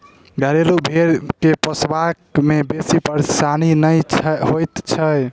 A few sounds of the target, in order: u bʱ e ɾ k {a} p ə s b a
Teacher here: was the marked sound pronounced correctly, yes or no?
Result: no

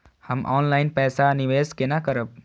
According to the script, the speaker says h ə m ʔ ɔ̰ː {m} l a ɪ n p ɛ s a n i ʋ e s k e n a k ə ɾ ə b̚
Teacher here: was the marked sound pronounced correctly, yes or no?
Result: no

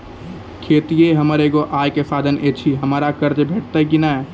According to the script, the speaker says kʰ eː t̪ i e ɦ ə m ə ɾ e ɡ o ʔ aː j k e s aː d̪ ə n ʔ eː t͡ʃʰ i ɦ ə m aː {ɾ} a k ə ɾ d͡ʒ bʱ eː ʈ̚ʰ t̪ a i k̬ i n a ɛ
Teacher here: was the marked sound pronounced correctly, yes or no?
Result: yes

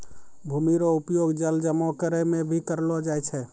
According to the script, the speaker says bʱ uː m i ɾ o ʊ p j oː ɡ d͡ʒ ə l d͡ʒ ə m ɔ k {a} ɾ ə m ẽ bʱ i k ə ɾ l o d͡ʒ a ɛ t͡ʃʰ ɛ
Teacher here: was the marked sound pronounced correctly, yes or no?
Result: no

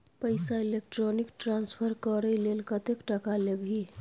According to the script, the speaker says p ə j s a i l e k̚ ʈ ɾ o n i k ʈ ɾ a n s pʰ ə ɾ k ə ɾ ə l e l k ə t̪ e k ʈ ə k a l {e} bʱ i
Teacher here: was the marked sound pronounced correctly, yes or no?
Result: yes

